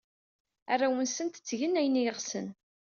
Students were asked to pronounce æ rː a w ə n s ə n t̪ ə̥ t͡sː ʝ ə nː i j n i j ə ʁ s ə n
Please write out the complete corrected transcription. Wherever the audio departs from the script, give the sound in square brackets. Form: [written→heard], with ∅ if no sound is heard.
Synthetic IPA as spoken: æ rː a w ə n s ə n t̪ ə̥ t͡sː ʝ ə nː [i→æ] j n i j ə ʁ s ə n